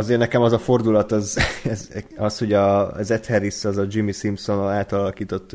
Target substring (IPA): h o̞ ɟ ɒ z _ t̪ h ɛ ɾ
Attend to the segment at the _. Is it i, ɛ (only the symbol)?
ɛ